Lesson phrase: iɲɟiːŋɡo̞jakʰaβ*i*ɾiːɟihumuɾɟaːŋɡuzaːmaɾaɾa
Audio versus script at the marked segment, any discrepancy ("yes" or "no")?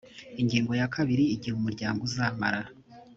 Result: no